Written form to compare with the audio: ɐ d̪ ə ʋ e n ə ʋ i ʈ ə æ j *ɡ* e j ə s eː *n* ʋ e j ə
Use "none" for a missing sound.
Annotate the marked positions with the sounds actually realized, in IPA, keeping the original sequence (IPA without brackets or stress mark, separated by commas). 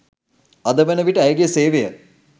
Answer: ɡ, none